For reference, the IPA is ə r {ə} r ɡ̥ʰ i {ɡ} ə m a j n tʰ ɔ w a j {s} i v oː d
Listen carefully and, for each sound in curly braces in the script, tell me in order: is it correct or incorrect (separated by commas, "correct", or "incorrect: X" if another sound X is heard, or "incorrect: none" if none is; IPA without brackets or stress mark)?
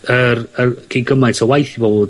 correct, correct, incorrect: θ